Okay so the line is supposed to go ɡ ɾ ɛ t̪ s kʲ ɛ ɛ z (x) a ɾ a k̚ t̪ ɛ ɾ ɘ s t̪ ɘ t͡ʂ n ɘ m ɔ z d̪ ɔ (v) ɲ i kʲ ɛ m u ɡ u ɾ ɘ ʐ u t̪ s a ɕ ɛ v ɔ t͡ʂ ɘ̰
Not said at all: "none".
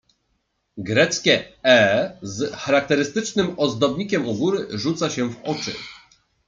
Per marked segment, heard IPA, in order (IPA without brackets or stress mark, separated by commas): x, b